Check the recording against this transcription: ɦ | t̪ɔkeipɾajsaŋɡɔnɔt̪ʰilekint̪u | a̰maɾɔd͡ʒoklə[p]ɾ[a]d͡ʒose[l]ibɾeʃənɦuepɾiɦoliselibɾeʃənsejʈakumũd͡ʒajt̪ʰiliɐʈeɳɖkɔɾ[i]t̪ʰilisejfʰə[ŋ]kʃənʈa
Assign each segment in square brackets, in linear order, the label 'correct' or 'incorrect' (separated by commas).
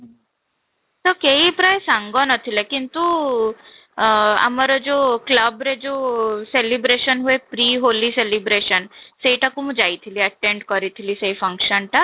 incorrect, incorrect, correct, correct, correct